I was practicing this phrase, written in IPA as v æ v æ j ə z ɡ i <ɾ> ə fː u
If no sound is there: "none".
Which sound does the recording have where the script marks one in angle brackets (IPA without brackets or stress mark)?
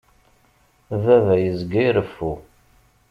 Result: ɾ